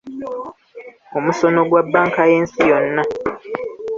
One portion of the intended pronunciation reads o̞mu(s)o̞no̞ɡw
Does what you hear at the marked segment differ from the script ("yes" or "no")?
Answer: no